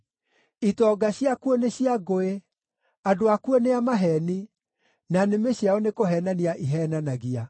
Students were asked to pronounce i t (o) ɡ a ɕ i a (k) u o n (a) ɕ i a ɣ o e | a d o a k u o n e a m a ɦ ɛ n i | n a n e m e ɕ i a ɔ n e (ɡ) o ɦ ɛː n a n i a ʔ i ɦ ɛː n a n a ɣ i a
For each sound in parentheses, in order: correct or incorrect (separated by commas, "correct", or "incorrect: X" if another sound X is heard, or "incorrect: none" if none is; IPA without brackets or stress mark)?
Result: incorrect: ɔ, correct, incorrect: e, incorrect: k